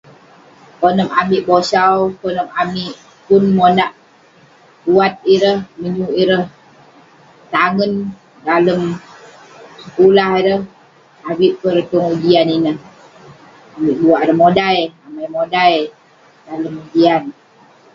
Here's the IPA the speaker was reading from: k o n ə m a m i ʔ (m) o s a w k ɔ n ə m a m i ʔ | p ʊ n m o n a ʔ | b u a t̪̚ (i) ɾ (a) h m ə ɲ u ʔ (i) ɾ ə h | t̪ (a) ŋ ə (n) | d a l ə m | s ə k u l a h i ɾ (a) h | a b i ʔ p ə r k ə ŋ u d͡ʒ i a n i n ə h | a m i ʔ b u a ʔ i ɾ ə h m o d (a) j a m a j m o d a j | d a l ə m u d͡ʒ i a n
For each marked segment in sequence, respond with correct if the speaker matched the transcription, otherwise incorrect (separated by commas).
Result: incorrect, correct, incorrect, correct, correct, correct, incorrect, correct